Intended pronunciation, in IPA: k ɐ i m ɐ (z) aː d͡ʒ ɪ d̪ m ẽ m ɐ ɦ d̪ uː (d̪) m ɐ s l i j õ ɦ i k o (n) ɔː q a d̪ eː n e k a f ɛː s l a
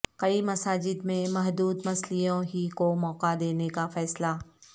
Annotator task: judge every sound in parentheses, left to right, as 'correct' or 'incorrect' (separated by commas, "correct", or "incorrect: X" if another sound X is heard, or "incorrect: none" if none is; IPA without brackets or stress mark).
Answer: incorrect: s, correct, incorrect: m